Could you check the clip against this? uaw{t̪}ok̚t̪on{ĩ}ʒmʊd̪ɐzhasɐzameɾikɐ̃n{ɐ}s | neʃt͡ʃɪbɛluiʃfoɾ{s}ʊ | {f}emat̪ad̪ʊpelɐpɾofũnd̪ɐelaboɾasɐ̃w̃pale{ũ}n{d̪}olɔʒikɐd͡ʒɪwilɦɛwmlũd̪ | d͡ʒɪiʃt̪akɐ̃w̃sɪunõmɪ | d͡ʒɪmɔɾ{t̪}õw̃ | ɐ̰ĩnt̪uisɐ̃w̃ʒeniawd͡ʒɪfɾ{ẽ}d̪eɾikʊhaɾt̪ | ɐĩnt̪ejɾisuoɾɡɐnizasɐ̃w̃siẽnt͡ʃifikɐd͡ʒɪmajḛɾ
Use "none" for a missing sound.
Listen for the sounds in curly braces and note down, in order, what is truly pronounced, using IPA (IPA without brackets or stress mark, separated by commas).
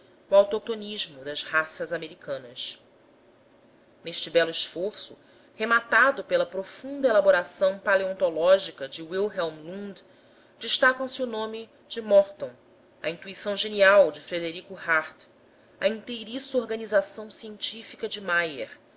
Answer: t̪, i, ɐ, s, h, õ, t̪, t̪, e